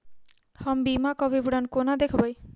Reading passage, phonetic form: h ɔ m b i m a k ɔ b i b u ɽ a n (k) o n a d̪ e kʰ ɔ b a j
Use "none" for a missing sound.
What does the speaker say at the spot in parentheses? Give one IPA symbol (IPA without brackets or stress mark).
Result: k